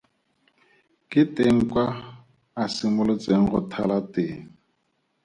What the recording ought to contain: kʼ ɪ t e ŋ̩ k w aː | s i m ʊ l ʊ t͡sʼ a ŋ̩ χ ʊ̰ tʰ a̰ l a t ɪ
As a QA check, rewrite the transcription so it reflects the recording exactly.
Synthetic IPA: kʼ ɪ t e ŋ̩ k w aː | s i m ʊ l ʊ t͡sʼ e ŋ̩ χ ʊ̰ tʰ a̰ l a t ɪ

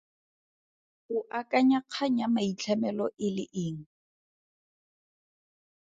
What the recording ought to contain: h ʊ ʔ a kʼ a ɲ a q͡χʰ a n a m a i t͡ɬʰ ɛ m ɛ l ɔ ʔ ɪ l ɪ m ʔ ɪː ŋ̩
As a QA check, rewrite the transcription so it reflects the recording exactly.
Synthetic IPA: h ʊ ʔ a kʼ a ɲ a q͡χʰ a ɲ a m a i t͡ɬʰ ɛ m ɛ l ɔ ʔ ɪ l ɪ ʔ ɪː ŋ̩

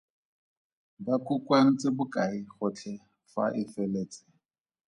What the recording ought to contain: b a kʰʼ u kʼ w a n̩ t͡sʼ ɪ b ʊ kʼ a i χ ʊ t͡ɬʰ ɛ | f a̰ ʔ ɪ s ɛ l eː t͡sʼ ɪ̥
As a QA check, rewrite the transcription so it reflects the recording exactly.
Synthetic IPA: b a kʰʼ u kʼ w a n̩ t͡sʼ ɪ b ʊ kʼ a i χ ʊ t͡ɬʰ ɛ | f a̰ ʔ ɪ f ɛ l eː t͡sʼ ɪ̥

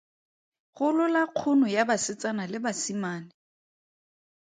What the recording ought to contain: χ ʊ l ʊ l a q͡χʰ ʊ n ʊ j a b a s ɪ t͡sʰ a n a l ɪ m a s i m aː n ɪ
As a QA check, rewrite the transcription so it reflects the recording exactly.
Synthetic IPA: χ ʊ l ʊ l a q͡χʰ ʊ n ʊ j a b a s ɪ t͡s a n a l ɪ b a s i m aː n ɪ

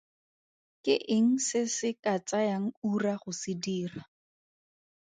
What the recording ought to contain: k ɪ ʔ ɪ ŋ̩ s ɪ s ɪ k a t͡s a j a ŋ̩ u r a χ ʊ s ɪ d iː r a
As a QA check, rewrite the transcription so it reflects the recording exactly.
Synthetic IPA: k ɪ ʔ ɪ ŋ̩ s ɪ s ɪ k a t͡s a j a ŋ̩ u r a χ ʊ s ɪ d iː r a

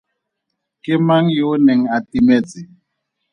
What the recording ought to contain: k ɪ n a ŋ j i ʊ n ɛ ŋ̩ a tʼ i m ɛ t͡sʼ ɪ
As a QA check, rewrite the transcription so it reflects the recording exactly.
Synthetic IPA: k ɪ m a ŋ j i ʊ n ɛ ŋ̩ a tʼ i m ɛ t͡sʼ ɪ

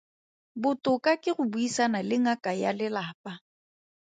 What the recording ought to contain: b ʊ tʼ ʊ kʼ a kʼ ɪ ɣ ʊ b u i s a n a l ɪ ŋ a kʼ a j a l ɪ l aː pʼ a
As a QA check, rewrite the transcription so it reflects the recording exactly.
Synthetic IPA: b ʊ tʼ ʊ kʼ a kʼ ɪ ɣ ʊ b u i s a n a l ɪ ŋ a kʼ a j a l ɪ l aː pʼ a

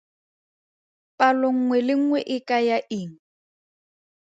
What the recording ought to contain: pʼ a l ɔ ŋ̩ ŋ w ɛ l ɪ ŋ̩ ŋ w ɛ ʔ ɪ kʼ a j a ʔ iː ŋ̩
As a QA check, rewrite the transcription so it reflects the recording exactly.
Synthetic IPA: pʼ a l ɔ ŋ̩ ŋ w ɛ l ɪ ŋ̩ ŋ w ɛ ʔ ɪ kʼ a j a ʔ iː ŋ̩

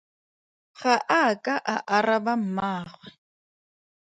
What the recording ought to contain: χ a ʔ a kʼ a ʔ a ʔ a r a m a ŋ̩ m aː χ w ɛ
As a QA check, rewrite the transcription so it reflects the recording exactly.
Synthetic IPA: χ a ʔ a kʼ a ʔ a ʔ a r a b a m̩ m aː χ w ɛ

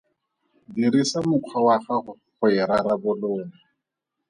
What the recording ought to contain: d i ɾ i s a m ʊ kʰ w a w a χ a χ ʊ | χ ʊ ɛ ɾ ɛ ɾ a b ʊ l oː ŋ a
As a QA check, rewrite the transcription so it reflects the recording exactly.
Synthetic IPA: d i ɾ i s a m ʊ kʰ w a w a χ a χ ʊ | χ ʊ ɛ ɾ a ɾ a b ʊ l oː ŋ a

